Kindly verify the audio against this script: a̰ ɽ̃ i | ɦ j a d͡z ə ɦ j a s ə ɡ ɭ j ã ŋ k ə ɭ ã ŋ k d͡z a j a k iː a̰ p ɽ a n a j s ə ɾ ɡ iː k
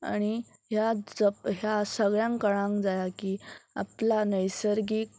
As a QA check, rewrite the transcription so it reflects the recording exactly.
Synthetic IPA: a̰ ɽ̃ i | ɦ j a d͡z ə ɦ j a s ə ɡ ɭ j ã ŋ k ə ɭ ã ŋ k d͡z a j a k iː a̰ p l a n ə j s ə ɾ ɡ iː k